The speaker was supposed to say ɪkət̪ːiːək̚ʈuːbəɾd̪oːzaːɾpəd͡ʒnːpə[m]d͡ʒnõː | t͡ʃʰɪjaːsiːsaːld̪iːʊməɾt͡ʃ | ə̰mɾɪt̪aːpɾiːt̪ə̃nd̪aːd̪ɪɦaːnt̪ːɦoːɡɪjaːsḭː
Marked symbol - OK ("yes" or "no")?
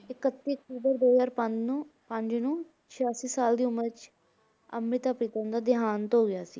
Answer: no